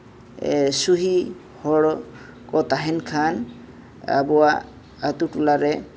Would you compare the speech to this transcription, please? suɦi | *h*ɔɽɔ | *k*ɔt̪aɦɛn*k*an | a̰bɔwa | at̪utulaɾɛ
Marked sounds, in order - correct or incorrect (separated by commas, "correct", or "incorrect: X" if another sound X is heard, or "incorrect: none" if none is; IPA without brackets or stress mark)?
correct, correct, incorrect: kʰ